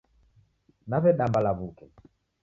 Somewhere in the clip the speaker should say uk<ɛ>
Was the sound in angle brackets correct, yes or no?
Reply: yes